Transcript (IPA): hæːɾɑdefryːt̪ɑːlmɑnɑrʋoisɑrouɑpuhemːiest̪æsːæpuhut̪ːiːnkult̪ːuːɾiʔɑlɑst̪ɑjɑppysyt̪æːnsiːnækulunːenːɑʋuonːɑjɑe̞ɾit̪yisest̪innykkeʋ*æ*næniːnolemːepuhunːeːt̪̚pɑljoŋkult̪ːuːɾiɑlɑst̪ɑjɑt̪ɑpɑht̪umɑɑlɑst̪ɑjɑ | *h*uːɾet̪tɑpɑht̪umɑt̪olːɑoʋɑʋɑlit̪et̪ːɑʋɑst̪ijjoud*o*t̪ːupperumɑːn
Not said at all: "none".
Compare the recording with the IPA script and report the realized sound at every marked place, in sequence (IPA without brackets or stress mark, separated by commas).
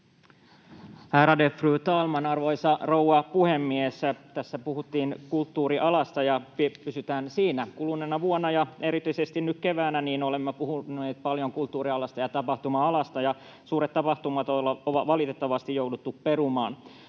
æː, s, u